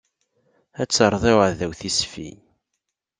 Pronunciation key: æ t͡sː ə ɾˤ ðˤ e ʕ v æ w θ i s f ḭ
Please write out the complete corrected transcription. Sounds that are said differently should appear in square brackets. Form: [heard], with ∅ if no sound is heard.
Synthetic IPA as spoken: æ t͡sː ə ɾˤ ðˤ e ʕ [ð] æ w θ i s f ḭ